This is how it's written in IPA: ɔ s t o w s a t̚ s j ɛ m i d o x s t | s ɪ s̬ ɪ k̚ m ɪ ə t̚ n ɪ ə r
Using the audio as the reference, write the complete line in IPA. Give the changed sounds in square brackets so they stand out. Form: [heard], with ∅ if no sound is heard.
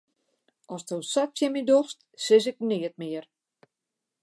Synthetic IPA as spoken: ɔ s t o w s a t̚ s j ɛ m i d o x s t | s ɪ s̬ ɪ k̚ [n] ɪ ə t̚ [m] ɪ ə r